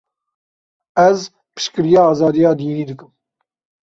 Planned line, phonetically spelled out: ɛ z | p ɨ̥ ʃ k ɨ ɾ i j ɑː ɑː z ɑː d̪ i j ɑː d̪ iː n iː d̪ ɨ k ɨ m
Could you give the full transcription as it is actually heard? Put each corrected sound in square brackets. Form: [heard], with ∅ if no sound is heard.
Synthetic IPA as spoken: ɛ z | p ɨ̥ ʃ k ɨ ɾ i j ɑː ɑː z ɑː d̪ i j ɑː d̪ iː n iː d̪ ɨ k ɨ m